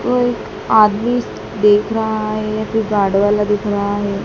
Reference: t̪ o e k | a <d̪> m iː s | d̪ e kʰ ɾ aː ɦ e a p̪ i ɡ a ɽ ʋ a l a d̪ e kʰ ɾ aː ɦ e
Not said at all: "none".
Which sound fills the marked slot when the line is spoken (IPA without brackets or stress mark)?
d̪